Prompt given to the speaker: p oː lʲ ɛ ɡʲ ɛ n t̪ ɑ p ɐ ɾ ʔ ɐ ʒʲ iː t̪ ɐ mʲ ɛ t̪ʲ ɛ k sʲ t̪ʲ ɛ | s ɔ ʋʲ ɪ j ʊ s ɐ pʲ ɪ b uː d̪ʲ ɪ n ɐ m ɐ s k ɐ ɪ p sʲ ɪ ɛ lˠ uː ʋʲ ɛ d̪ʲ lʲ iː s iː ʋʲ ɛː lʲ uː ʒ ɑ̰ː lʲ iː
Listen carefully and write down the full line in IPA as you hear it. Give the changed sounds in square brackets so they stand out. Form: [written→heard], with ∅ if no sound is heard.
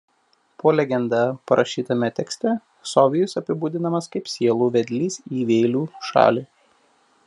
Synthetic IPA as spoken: p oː lʲ ɛ ɡʲ ɛ n [t̪→d̪] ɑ p ɐ ɾ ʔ ɐ [ʒʲ→ʃʲ] iː t̪ ɐ mʲ ɛ t̪ʲ ɛ k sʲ t̪ʲ ɛ | s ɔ ʋʲ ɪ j ʊ s ɐ pʲ ɪ b uː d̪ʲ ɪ n ɐ m ɐ s k ɐ ɪ p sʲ [ɪ→i] ɛ lˠ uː ʋʲ ɛ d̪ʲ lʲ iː s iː ʋʲ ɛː lʲ uː [ʒ→ʃ] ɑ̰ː lʲ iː